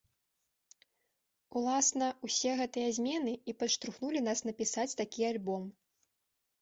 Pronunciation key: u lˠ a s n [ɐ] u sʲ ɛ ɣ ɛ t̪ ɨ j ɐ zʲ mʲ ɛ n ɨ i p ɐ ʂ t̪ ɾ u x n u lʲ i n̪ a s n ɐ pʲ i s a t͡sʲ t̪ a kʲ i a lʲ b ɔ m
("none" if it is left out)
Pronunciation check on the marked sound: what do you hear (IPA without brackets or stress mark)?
ɐ